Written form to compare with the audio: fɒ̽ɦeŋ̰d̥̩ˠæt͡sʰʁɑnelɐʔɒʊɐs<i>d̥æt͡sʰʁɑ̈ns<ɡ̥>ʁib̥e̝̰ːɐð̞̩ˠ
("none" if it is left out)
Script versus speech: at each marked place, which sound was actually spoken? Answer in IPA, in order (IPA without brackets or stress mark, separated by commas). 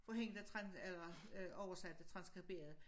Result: æ, ɡ̥